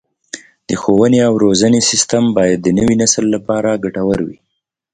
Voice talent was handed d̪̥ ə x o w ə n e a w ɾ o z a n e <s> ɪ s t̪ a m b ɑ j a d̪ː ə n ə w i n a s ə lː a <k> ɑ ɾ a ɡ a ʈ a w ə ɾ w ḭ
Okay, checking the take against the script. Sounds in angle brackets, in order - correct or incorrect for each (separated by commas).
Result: correct, incorrect